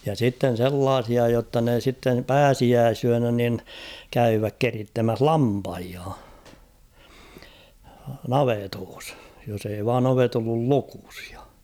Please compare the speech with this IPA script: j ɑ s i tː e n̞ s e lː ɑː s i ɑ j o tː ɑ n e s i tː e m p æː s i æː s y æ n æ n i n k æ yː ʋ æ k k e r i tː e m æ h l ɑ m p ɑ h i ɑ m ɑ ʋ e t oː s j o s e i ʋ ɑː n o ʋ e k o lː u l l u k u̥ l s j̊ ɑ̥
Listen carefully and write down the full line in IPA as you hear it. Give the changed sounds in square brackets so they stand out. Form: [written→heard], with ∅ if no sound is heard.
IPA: j ɑ s i tː e n̞ s e lː ɑː s i ɑ j o tː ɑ n e s i tː e m p æː s i æː s y æ n æ n i n k æ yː ʋ æ k k e r i tː e m æ h l ɑ m p ɑ h i ɑ [m→n] ɑ ʋ e t oː s j o s e i ʋ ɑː n o ʋ e [k→t] o lː u l l u k u̥ [l→∅] s j̊ ɑ̥